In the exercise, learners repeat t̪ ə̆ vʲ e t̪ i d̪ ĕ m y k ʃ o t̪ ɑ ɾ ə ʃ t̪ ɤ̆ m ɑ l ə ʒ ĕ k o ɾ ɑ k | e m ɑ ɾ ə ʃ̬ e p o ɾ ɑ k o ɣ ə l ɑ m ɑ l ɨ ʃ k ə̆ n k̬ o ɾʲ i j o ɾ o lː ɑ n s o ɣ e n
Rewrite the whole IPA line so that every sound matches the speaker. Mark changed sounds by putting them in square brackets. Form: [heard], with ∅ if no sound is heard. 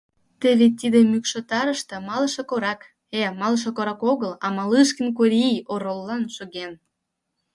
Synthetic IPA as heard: t̪ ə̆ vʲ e t̪ i d̪ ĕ m y k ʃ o t̪ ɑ ɾ ə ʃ t̪ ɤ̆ m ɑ l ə [ʃ] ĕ k o ɾ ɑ k | e m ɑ [l] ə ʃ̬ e [k] o ɾ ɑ k o ɣ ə l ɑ m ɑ l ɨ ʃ k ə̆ n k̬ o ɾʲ i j o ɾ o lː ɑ n [ʃ] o ɣ e n